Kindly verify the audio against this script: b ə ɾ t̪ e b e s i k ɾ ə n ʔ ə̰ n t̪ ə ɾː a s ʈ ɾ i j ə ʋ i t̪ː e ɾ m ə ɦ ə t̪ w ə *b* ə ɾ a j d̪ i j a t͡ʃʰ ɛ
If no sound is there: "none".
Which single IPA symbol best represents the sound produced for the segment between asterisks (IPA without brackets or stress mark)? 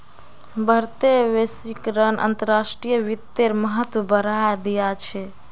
b